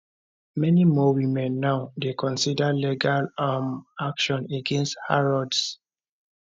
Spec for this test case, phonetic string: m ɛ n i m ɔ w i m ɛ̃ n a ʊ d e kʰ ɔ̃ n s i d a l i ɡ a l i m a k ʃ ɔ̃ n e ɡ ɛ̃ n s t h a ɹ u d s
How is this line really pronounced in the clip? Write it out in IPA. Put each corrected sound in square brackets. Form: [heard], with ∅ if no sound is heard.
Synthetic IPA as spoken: m ɛ n i m ɔ w i m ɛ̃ [nː] a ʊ d e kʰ ɔ̃ n s i d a l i ɡ a l [a] m a k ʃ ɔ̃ n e ɡ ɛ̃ n s t h a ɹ [ɔ] d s